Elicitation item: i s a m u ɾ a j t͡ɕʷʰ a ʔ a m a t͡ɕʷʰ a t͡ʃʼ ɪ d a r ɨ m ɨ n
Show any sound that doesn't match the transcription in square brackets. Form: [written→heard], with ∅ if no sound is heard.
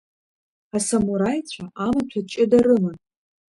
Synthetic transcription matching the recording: [i→a] s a m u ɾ a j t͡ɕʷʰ a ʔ a m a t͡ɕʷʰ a t͡ʃʼ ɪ d a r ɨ m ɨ n